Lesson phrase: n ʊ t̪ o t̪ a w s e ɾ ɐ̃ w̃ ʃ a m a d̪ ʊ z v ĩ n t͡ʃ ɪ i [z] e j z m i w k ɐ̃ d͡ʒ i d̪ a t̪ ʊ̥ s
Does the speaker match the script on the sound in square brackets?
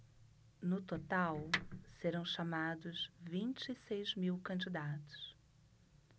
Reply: no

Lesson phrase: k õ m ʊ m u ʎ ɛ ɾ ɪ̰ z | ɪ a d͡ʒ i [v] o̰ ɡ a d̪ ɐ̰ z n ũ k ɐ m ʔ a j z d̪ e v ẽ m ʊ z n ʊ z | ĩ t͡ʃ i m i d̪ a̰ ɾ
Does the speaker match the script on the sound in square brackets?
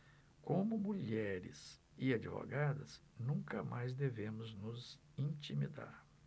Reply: yes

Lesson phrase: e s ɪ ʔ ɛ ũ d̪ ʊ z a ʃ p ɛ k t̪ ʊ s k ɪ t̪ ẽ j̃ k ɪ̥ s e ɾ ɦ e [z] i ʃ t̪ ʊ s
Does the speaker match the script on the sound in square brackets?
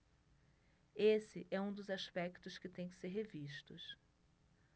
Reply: no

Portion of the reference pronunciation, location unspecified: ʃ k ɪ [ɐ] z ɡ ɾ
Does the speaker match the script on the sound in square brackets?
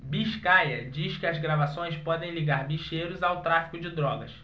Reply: yes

